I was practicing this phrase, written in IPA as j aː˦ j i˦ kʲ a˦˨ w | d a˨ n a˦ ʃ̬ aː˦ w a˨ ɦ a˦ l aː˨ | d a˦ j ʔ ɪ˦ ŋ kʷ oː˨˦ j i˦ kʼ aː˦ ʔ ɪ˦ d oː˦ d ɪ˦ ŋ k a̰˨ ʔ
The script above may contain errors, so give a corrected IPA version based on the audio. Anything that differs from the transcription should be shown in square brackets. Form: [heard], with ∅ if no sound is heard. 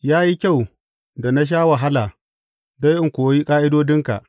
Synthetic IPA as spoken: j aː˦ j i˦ kʲ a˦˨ w | d a˨ n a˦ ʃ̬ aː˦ w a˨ ɦ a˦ l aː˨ | d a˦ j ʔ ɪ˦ ŋ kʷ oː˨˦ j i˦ kʼ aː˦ ʔ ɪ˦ d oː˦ d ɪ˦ ŋ k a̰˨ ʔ